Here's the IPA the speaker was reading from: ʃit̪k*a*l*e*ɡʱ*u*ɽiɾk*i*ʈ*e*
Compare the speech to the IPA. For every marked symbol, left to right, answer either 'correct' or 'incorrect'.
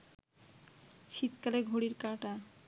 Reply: correct, correct, incorrect: o, incorrect: a, incorrect: a

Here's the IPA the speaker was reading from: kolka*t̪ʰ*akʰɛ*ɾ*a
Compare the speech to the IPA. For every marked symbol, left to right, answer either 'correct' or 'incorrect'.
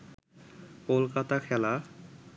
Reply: incorrect: t̪, incorrect: l

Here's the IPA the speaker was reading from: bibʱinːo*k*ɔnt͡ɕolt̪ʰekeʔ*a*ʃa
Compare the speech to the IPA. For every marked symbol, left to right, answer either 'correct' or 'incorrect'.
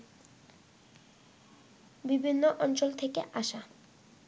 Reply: incorrect: ʔ, correct

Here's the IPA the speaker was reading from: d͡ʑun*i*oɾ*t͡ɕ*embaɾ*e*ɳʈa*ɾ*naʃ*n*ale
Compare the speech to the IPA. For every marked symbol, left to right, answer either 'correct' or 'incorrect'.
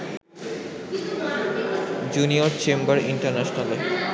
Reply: correct, correct, incorrect: i, correct, correct

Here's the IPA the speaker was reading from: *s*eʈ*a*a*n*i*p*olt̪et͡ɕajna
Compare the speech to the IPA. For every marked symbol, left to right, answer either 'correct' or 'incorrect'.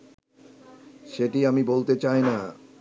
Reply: incorrect: ʃ, incorrect: i, incorrect: m, incorrect: b

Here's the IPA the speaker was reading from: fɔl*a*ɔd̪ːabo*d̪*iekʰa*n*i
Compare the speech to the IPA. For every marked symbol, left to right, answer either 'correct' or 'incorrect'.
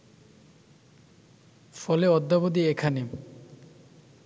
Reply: incorrect: e, correct, correct

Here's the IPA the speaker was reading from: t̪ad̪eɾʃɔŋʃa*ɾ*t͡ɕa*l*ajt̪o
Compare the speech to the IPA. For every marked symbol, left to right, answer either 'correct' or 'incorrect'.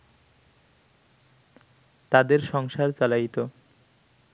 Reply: correct, correct

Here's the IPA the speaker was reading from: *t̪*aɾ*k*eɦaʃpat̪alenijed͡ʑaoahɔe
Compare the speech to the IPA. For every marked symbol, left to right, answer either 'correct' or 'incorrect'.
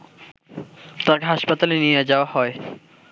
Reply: correct, correct

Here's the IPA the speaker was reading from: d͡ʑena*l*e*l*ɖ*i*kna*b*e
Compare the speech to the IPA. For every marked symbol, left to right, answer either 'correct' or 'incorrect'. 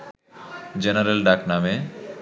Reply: incorrect: ɾ, correct, incorrect: a, incorrect: m

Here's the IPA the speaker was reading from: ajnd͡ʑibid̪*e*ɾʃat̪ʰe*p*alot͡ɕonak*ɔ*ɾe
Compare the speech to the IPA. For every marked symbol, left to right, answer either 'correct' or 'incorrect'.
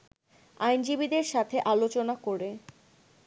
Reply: correct, incorrect: ʔ, incorrect: o

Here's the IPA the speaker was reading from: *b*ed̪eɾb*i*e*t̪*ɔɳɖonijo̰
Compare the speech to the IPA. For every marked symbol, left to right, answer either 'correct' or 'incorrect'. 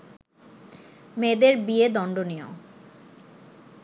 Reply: incorrect: m, correct, incorrect: d̪

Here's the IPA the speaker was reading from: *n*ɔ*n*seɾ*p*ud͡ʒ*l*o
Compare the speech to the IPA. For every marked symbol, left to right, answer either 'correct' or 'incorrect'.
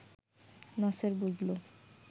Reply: correct, incorrect: none, incorrect: b, correct

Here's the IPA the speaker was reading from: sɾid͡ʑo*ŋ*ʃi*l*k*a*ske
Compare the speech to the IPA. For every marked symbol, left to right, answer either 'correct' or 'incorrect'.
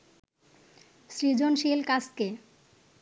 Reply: incorrect: n, correct, correct

